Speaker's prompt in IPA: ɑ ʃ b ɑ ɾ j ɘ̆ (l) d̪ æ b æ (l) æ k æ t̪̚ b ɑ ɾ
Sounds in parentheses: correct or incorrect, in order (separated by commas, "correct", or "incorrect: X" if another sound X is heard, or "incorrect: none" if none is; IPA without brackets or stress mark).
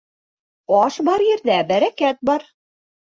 incorrect: ɾ, incorrect: ɾ